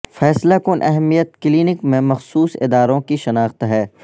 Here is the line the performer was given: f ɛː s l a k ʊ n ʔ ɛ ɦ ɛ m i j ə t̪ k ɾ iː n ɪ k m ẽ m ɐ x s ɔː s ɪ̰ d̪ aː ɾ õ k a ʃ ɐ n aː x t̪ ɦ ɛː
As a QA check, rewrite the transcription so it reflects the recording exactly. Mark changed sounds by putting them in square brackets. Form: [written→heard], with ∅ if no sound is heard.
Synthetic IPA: f ɛː s l a k ʊ n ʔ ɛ ɦ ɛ m i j ə t̪ k [ɾ→l] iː n ɪ k m ẽ m ɐ x s [ɔː→uː] s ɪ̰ d̪ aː ɾ õ k [a→i] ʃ ɐ n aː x t̪ ɦ ɛː

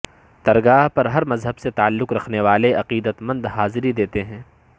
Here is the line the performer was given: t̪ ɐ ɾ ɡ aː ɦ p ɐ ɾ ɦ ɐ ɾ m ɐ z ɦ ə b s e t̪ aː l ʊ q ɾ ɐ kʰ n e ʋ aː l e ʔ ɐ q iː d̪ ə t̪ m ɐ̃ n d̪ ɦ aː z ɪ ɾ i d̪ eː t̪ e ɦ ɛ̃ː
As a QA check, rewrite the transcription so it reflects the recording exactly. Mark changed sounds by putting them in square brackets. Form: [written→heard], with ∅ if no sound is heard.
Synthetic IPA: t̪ ɐ ɾ ɡ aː ɦ p ɐ ɾ ɦ ɐ ɾ m ɐ z ɦ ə b s e t̪ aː [l→lː] ʊ q ɾ ɐ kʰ n e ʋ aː l e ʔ ɐ q iː d̪ ə t̪ m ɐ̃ n d̪ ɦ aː z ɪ ɾ i d̪ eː t̪ e ɦ ɛ̃ː

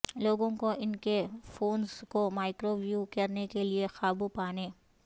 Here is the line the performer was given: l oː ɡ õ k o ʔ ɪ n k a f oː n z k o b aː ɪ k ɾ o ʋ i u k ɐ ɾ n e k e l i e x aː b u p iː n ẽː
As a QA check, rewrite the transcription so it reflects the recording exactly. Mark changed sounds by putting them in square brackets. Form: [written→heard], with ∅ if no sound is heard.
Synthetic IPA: l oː ɡ õ k o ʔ ɪ n k [a→e] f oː n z k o [b→m] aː ɪ k ɾ o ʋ [i→j] u k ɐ ɾ n e k e l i e x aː b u p [iː→aː] n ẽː

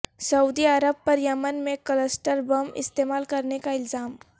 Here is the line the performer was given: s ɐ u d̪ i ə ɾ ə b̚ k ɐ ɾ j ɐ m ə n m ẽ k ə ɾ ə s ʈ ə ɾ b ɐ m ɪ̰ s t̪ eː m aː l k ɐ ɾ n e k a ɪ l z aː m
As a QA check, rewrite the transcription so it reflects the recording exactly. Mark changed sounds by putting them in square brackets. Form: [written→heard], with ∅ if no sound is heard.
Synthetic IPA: s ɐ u d̪ i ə ɾ ə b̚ [k→p] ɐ ɾ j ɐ m ə n m ẽ k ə [ɾ→l] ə s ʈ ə ɾ b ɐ m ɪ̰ s t̪ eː m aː l k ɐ ɾ n e k a ɪ l z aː m

